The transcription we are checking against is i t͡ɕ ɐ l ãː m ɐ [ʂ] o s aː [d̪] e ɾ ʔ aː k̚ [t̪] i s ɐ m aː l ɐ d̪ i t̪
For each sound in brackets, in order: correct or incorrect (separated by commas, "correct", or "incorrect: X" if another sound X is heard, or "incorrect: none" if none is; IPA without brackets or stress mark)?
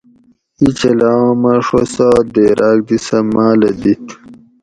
correct, correct, incorrect: d̪